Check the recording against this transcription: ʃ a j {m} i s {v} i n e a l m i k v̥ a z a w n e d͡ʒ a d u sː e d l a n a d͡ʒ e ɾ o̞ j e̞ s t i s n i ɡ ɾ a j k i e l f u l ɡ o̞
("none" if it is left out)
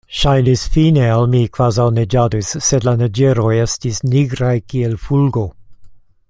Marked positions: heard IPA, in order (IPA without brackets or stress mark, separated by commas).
n, f